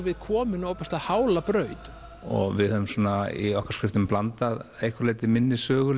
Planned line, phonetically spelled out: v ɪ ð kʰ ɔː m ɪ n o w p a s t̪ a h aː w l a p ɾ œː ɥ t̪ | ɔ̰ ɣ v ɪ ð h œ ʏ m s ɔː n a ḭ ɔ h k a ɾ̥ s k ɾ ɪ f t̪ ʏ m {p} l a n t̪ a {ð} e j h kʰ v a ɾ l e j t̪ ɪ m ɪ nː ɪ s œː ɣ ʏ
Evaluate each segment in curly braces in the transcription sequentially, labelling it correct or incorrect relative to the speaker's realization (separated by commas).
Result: correct, correct